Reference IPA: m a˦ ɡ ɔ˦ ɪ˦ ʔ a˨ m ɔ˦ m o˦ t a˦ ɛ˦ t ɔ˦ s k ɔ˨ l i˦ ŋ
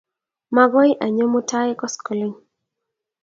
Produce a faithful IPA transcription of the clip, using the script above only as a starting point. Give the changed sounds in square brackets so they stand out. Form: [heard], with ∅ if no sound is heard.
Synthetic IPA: m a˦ ɡ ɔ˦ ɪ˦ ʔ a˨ [ɲ] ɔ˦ m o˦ t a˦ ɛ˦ [k] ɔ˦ s k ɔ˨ l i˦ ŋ